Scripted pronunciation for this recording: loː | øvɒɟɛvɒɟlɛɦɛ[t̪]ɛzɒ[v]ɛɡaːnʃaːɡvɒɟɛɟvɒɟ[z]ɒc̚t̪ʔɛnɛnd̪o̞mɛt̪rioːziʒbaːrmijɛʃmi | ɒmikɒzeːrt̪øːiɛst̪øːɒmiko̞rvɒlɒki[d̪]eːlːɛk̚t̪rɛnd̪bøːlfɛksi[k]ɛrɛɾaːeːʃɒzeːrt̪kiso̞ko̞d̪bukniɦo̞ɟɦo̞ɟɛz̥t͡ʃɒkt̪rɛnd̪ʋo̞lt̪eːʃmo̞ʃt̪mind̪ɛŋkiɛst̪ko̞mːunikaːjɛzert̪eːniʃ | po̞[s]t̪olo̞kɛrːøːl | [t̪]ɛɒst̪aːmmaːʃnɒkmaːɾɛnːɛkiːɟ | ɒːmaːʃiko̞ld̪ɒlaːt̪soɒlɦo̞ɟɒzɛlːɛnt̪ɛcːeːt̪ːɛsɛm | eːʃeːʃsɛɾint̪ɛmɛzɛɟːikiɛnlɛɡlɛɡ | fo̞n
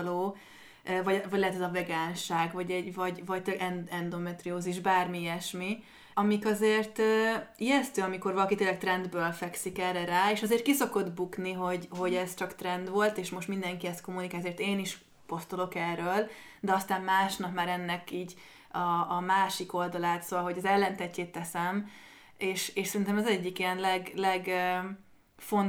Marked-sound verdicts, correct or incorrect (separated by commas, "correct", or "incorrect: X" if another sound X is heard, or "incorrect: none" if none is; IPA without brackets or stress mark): correct, correct, incorrect: v, incorrect: t̪, correct, correct, incorrect: d̪